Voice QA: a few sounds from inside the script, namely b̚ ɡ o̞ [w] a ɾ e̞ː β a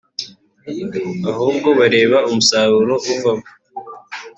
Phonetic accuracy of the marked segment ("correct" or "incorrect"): incorrect